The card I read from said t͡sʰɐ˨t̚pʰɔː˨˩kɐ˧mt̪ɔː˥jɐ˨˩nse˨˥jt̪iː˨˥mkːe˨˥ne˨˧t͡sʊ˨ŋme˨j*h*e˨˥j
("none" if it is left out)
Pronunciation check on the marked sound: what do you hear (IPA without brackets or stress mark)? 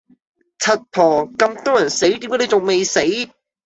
s